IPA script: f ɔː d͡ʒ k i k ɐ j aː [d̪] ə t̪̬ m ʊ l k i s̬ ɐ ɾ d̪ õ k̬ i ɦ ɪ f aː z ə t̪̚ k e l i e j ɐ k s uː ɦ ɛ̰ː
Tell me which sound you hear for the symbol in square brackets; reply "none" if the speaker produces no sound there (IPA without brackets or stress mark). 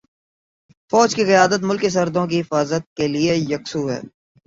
d̪